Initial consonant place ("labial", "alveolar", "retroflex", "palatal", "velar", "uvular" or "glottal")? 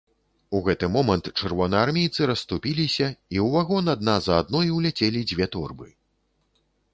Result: velar